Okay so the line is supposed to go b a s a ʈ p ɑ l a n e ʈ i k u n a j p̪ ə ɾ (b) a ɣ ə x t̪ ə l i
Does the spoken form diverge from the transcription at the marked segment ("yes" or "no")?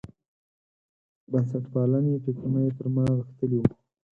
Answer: yes